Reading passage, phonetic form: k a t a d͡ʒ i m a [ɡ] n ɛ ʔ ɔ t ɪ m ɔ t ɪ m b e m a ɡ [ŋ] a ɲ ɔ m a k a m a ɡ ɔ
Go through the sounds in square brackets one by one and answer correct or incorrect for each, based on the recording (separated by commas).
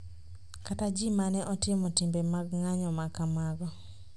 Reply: incorrect, correct